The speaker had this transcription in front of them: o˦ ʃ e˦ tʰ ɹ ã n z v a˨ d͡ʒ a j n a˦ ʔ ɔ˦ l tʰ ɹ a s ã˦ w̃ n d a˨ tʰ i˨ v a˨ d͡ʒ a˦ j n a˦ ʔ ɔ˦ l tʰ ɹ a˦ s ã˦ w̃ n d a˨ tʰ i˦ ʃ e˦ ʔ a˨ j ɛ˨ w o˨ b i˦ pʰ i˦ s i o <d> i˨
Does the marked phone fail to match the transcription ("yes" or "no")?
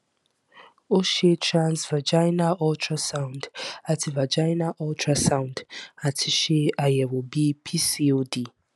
no